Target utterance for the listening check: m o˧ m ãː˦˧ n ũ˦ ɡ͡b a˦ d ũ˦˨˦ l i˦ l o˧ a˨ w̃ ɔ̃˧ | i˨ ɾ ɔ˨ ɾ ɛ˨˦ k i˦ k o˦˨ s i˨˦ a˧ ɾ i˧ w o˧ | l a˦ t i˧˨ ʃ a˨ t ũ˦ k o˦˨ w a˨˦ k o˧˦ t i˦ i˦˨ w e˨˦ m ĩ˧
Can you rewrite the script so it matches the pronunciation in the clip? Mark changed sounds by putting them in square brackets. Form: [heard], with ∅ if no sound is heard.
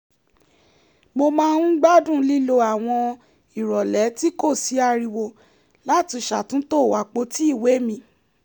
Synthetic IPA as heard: m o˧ m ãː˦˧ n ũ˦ ɡ͡b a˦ d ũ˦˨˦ l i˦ l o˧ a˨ w̃ ɔ̃˧ | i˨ ɾ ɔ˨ [l] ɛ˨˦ [t] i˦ k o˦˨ s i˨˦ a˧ ɾ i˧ w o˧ | l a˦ t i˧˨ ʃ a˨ t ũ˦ [t] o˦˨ w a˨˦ [k͡p] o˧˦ t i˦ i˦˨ w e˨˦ m ĩ˧